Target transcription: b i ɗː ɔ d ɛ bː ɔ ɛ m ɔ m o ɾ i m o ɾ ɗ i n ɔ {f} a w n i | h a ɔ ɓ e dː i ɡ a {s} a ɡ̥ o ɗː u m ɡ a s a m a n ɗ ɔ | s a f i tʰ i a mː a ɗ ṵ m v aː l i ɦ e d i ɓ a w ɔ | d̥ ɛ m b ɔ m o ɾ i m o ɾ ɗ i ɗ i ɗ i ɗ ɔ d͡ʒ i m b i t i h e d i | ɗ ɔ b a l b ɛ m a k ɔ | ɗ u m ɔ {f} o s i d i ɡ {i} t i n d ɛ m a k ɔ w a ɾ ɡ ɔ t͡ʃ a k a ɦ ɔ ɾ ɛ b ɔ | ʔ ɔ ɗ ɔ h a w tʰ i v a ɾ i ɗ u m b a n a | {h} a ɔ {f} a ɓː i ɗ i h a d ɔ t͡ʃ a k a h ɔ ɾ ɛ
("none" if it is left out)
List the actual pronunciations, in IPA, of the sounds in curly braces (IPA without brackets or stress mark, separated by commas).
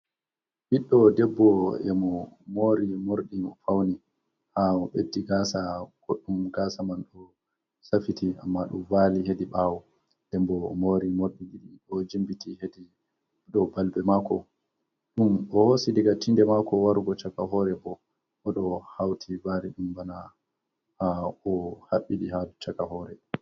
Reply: f, s, h, a, h, h